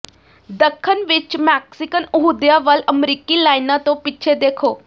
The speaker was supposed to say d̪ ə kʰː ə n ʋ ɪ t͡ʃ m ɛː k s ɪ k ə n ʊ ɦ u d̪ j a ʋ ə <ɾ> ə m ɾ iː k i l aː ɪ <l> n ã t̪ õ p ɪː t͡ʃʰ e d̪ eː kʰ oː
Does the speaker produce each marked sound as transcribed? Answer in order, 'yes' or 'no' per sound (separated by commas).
no, no